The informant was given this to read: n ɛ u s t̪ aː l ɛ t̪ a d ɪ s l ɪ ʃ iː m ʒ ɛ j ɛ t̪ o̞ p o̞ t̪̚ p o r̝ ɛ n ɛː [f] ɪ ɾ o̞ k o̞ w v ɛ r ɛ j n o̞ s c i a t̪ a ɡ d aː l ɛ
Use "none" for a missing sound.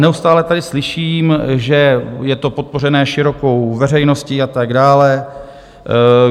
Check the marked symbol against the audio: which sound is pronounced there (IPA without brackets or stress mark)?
ʃ